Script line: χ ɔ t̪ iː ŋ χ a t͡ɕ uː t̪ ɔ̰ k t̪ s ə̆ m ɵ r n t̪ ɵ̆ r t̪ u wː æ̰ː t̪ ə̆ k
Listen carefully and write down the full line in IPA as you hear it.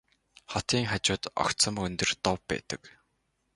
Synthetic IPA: χ ɔ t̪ iː ŋ χ a t͡ɕ ʊː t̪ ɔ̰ k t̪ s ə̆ m ɵ n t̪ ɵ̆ r t̪ ɔ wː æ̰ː t̪ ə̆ k

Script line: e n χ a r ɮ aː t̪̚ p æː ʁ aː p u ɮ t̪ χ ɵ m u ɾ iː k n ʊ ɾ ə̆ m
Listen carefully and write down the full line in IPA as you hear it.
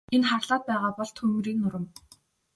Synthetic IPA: e n χ a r ɮ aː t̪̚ p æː ʁ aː p ɔ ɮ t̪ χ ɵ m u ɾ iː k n ʊ ɾ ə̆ m

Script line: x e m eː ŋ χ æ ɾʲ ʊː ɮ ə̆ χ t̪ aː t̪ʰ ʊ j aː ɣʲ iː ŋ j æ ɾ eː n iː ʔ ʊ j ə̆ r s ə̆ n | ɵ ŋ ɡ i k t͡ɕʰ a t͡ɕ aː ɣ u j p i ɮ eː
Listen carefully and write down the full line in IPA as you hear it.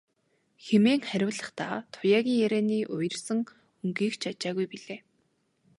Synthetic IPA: x e m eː ŋ χ æ ɾʲ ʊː ɮ ə̆ χ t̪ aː t̪ʰ ʊ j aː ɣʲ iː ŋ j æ ɾ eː n iː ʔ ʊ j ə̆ r s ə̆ ŋ | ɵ ŋ ɡ iː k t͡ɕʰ a t͡ɕ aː ɣ u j p i ɮ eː

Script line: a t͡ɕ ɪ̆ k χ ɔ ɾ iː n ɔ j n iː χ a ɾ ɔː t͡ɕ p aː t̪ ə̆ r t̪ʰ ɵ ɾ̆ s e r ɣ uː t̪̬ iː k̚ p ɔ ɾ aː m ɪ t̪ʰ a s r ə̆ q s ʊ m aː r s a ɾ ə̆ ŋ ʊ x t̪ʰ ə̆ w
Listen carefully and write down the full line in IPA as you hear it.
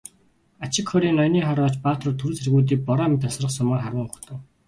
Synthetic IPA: a t͡ɕ ɪ̆ k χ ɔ ɾ iː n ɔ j n iː χ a ɾ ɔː t͡ɕ p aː t̪ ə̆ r t̪ʰ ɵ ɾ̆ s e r ɣ uː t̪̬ iː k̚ p ɔ ɾ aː m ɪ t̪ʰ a s r ə̆ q s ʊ m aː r χ a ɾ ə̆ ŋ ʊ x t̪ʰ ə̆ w

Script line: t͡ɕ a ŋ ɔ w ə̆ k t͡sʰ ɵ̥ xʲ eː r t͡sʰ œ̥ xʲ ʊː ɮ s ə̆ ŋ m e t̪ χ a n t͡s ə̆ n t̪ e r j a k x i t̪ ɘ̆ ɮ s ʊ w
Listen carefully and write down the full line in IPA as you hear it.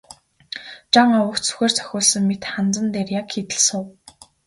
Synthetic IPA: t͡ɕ a ŋ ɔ w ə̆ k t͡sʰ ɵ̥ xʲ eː r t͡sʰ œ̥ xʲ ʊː ɮ s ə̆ ŋ m e t̪ χ a n t͡s ə̆ n t̪ e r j a k x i t̪ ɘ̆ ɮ s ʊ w

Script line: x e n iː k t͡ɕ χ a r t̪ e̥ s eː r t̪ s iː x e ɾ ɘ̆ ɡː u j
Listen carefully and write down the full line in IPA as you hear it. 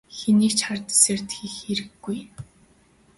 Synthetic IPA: x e n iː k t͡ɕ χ a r t̪ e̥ s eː r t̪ x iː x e ɾ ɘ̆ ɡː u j

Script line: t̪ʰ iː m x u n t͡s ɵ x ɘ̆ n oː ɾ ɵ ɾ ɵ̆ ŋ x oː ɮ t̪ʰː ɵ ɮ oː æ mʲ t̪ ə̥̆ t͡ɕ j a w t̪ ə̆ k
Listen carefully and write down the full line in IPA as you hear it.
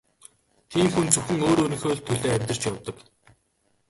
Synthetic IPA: t̪ʰ iː m x u n t͡s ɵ x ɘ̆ ŋ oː ɾ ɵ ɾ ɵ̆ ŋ x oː ɮ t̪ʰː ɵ ɮ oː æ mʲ t̪ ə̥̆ t͡ɕ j a w t̪ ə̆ k

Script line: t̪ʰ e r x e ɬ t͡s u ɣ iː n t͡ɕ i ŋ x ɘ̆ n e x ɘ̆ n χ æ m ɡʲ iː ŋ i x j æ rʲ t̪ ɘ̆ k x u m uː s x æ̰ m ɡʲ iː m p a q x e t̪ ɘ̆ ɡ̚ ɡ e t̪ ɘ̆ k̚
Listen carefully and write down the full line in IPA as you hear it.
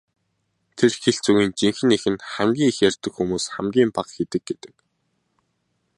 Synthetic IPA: t̪ʰ e r x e ɬ t͡s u ɣ iː n t͡ɕ i ŋ x ɘ̆ n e x ɘ̆ n χ æ m ɡʲ iː ŋ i x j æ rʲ t̪ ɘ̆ k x u m uː s χ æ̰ m ɡʲ iː m p a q x e t̪ ɘ̆ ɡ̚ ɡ e t̪ ɘ̆ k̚

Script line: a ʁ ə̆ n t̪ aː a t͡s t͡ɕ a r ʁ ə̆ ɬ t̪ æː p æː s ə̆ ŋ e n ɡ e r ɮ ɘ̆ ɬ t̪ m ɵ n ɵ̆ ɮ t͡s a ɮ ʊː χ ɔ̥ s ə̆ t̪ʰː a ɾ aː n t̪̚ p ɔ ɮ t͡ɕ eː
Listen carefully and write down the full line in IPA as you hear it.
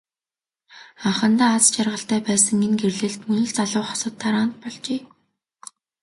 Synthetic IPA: a χ ə̆ n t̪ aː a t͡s t͡ɕ a r ʁ ə̆ ɬ t̪ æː p æː s ə̆ ŋ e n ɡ e r ɮ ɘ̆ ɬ t̪ m ɵ n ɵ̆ ɮ t͡s a ɮ ʊː χ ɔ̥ s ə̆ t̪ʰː a ɾ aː n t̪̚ p ɔ ɮ t͡ɕ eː

